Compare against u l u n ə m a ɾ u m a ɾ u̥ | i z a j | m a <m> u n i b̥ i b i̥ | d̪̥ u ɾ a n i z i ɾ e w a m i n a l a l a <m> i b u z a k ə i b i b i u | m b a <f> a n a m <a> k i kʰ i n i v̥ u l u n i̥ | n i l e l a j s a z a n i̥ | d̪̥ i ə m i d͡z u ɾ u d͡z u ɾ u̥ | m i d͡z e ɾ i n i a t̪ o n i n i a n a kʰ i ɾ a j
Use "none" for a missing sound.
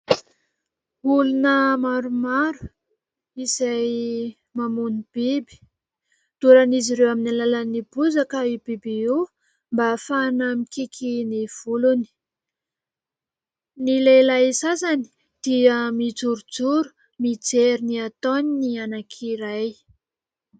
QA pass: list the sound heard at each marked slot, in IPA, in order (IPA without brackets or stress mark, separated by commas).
m, n, f, i